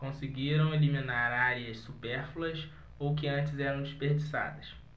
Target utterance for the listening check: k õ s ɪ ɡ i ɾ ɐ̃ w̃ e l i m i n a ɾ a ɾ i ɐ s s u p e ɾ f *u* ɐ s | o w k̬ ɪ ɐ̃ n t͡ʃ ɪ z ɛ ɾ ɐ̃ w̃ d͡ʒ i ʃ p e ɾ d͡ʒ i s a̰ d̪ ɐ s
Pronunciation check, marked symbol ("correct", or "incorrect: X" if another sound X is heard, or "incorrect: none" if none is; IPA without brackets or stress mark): correct